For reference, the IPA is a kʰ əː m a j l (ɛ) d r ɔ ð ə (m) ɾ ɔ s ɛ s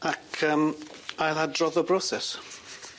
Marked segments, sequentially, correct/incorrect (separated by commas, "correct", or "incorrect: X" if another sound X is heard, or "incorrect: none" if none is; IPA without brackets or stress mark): incorrect: a, incorrect: b